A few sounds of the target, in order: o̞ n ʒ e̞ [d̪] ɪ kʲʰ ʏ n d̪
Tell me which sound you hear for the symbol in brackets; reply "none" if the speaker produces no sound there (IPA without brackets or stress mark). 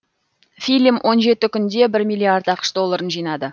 t̪